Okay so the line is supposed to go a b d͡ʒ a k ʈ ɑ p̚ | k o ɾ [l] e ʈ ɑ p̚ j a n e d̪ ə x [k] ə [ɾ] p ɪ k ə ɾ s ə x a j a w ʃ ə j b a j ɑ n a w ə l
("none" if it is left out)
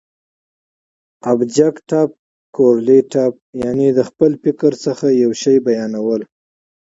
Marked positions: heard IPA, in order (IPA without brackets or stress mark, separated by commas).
l, p, l